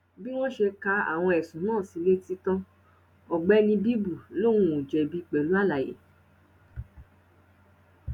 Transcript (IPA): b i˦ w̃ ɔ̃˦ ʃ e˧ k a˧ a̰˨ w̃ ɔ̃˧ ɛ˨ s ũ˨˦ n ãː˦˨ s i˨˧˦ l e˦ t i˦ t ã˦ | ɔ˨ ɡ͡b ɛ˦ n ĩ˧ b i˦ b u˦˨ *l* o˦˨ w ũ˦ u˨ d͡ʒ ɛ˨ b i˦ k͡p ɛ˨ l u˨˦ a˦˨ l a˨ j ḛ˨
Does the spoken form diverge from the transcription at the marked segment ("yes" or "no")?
no